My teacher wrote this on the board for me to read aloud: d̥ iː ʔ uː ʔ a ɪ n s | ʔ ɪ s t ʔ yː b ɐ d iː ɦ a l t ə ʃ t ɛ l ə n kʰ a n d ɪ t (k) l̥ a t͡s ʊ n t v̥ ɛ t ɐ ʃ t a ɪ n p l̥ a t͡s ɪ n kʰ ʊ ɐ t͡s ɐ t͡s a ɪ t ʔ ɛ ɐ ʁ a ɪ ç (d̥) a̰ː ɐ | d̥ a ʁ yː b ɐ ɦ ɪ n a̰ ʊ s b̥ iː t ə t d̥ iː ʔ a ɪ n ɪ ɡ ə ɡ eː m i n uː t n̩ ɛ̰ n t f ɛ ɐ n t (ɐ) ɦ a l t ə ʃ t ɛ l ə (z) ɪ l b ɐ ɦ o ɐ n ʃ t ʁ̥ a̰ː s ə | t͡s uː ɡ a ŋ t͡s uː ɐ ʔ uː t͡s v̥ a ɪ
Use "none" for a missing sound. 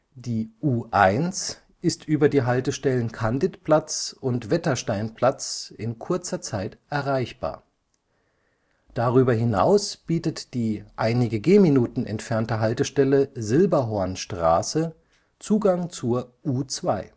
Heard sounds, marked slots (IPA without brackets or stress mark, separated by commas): p, b̥, ə, z